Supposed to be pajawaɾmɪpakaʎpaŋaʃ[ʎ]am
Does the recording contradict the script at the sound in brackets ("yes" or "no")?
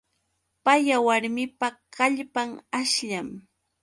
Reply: no